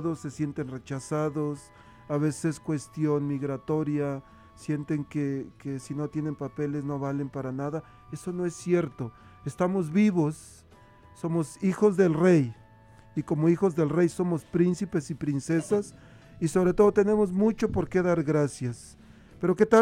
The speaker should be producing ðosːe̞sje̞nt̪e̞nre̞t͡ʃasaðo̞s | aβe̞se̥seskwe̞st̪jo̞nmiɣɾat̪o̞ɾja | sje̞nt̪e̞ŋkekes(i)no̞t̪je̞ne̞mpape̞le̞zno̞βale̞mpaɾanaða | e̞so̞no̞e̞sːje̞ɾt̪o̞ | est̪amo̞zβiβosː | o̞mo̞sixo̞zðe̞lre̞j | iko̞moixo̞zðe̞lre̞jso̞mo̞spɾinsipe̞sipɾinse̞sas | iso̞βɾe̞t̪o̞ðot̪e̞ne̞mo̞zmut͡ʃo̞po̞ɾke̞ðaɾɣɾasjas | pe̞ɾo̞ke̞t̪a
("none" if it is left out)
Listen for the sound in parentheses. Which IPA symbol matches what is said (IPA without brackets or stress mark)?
i